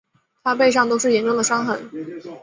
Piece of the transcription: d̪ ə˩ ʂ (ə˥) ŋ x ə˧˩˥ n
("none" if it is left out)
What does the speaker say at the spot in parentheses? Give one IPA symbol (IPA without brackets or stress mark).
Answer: ɑ˥